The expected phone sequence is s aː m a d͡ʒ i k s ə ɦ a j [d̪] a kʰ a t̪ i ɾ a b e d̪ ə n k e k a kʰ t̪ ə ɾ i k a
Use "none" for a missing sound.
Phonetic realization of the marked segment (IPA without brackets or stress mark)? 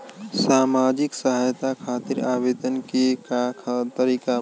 t̪